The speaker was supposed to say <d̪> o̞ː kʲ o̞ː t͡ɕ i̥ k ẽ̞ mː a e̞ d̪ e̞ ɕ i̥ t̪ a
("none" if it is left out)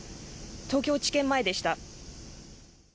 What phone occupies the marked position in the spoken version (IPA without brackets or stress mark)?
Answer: t̪